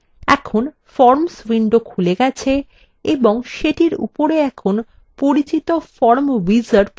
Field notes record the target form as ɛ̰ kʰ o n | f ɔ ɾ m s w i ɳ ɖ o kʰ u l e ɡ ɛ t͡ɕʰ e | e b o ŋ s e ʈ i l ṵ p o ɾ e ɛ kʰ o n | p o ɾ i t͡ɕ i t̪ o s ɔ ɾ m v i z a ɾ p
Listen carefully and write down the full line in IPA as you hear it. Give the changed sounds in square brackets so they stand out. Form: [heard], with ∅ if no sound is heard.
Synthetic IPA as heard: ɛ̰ kʰ o n | f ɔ ɾ m s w i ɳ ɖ o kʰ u l e ɡ ɛ t͡ɕʰ e | e b o ŋ [ʃ] e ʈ i [ɾ] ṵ p o ɾ e ɛ kʰ o n | p o ɾ i t͡ɕ i t̪ o [f] ɔ ɾ m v i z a ɾ p